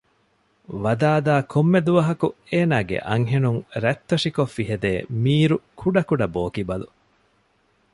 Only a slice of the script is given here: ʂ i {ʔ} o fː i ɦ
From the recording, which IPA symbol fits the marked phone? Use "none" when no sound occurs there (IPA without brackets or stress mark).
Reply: k